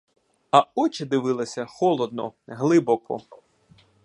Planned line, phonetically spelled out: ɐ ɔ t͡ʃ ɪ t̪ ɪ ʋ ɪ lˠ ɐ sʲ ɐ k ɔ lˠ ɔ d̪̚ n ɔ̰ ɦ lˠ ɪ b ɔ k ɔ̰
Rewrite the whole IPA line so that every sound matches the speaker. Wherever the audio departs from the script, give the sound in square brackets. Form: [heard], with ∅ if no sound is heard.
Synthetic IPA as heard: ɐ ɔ t͡ʃ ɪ [d̪] ɪ ʋ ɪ lˠ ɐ sʲ ɐ [x] ɔ lˠ ɔ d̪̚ n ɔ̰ ɦ lˠ ɪ b ɔ k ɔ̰